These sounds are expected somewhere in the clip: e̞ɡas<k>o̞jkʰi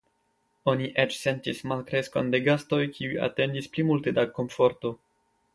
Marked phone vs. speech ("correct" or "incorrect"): incorrect